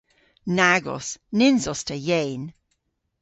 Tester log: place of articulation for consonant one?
alveolar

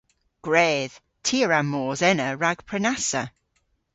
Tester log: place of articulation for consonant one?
velar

